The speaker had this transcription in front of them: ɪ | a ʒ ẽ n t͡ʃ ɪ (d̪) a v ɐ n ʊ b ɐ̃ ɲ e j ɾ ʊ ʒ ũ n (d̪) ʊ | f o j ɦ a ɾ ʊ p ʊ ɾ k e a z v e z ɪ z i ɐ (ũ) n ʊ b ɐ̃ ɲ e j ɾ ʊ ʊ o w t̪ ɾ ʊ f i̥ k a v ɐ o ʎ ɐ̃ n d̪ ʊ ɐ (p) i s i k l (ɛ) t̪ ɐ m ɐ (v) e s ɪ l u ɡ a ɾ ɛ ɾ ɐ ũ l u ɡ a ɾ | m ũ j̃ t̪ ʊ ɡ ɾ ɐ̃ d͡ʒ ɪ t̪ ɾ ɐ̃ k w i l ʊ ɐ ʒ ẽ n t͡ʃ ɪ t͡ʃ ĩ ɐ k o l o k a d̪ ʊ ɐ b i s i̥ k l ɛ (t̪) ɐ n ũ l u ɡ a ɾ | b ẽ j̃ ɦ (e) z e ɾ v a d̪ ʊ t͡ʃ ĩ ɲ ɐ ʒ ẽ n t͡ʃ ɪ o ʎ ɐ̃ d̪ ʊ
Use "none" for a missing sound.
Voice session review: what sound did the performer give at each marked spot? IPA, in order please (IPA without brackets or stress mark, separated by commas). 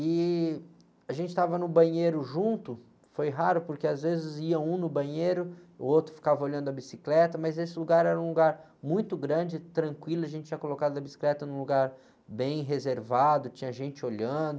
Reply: t̪, t̪, ũ, b, ɛ, z, t̪, e